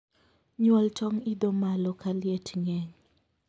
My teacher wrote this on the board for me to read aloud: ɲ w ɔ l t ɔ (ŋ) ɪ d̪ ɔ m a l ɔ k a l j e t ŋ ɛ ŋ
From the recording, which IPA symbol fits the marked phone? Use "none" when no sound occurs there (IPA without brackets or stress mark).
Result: ŋ